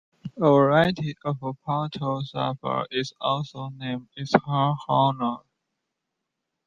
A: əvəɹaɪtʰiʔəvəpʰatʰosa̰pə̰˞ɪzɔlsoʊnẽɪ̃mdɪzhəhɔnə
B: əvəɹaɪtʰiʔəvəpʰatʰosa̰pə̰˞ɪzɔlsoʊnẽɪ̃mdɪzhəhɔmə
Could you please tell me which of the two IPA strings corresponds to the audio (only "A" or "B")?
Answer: A